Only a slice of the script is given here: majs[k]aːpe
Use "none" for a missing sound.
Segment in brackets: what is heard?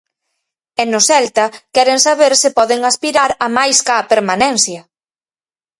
k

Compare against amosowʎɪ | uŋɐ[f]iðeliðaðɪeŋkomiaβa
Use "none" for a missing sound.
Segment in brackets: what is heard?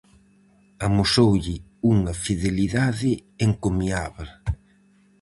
f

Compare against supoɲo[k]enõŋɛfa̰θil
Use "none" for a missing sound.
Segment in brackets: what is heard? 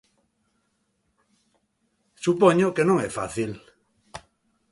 k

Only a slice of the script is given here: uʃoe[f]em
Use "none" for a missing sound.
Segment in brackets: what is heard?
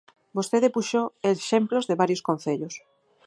ʃ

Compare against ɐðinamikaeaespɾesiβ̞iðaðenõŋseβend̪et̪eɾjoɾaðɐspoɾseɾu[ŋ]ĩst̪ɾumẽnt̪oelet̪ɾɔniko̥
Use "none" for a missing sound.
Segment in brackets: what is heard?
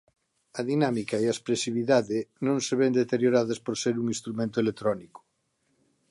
ŋ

